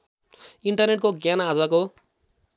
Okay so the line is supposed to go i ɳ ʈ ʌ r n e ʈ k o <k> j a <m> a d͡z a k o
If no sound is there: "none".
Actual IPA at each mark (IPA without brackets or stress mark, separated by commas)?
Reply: ɡ, n